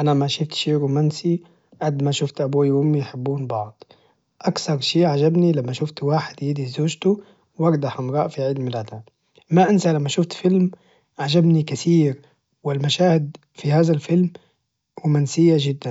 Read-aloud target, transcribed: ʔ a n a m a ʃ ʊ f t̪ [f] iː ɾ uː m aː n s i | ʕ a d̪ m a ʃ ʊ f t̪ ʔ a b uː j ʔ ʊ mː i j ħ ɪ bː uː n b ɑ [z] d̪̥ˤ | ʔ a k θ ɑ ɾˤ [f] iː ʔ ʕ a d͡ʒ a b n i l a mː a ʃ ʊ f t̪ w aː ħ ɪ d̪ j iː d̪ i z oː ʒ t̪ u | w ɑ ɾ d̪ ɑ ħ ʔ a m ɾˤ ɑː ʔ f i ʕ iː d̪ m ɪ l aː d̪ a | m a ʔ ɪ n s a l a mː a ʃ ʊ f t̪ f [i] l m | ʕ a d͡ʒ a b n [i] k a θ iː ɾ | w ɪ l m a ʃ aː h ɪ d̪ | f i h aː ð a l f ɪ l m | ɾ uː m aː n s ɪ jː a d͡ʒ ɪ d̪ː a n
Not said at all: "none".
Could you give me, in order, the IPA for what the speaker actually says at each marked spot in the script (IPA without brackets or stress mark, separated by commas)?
ʃ, ʕ, ʃ, ɪ, i